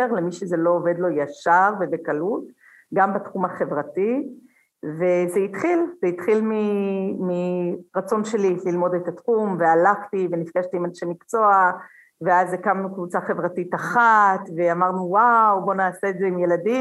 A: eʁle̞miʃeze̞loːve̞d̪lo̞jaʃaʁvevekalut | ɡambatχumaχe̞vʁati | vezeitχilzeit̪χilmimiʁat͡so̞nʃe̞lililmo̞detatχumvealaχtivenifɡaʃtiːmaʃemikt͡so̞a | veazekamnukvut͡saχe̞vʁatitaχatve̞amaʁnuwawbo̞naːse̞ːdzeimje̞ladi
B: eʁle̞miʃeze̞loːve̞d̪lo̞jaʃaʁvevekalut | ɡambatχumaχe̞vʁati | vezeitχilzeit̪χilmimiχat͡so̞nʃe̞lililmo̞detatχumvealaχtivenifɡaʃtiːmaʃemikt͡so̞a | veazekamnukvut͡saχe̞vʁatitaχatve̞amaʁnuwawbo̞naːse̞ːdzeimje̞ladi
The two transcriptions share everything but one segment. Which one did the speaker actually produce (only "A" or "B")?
A